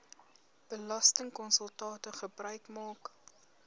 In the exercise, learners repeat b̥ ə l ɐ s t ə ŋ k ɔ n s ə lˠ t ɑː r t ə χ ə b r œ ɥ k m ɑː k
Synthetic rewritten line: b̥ ə l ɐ s t ə ŋ k ɔ n s ə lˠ t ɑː t ə χ ə b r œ ɥ k m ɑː k